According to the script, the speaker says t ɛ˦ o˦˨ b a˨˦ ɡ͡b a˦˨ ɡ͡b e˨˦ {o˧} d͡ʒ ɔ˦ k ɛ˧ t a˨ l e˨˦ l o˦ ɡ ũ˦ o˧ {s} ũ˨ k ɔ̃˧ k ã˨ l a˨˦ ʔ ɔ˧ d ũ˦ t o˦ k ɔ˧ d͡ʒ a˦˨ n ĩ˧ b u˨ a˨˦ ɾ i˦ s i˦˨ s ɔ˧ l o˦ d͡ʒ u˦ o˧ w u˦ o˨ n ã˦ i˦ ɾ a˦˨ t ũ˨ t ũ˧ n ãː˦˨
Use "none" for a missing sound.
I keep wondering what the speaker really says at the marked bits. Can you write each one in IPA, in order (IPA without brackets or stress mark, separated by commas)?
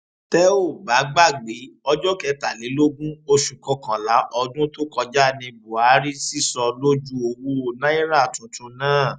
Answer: ɔ˧, ʃ